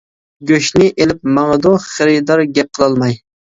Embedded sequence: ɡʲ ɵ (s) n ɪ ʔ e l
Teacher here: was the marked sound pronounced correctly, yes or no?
no